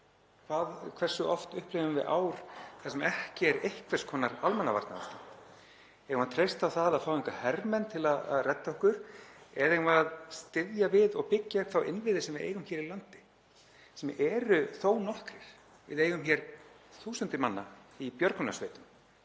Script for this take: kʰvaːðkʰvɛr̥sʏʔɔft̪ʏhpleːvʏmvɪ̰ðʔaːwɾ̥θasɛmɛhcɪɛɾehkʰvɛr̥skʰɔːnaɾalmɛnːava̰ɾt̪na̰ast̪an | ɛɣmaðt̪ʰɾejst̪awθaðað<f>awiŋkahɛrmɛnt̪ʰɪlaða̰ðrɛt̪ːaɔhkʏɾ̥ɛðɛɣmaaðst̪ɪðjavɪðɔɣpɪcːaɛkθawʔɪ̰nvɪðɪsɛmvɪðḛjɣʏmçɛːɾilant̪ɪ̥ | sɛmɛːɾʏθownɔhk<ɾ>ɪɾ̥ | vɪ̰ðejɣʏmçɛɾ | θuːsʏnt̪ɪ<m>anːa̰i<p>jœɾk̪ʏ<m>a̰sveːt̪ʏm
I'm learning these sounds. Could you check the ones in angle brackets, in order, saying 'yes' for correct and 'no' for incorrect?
yes, yes, yes, yes, no

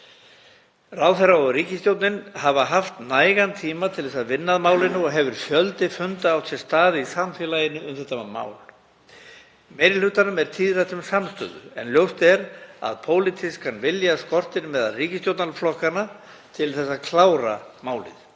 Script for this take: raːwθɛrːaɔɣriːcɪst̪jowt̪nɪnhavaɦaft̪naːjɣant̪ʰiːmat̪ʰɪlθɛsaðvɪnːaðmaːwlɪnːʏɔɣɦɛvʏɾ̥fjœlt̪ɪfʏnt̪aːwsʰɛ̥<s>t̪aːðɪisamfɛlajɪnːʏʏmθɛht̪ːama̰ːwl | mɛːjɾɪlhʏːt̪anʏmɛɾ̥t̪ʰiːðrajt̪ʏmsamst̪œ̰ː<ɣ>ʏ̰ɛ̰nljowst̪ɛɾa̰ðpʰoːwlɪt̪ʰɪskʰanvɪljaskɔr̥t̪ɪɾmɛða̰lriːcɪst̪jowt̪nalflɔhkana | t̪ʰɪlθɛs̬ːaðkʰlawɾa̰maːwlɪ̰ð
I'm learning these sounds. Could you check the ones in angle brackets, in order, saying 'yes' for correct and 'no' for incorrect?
yes, no

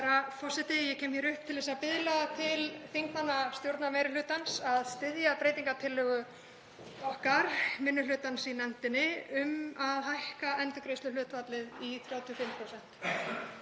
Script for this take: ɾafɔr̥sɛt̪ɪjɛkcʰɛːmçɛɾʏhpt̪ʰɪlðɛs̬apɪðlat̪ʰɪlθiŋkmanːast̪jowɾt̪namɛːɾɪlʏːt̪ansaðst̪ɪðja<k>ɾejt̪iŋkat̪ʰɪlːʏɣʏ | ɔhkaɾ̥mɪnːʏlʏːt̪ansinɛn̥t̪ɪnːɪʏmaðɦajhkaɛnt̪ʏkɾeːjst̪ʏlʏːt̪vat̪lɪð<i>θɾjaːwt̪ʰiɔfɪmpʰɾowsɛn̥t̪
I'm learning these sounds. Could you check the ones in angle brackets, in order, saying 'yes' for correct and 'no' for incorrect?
no, yes

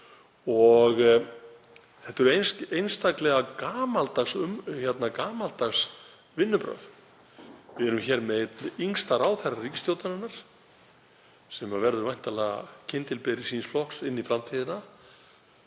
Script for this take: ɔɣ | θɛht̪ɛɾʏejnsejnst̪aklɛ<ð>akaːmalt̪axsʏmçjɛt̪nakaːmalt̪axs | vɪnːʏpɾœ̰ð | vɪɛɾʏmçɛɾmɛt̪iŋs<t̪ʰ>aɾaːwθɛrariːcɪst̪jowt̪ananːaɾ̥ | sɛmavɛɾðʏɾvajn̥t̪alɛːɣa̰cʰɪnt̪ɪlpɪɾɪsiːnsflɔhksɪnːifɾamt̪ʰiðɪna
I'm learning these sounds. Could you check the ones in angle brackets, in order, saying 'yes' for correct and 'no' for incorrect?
no, no

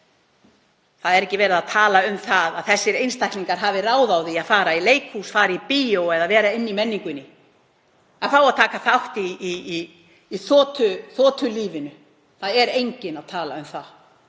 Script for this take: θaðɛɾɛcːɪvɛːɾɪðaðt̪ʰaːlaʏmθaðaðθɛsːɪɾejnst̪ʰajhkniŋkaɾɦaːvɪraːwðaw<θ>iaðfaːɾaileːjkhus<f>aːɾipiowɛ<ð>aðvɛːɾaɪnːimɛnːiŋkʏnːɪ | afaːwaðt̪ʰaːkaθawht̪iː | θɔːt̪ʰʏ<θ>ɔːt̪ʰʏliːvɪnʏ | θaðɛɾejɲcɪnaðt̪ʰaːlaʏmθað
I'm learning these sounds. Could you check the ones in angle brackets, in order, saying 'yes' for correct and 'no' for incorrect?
no, yes, yes, yes

